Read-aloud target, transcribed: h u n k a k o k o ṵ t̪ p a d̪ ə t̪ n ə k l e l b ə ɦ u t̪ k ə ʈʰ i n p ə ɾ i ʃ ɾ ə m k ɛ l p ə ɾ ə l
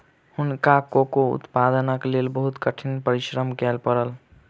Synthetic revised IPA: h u n k a k o k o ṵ t̪ p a d̪ ə n ə k l e l b ə ɦ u t̪ k ə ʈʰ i n p ə ɾ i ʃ ɾ ə m k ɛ l p ə ɾ ə l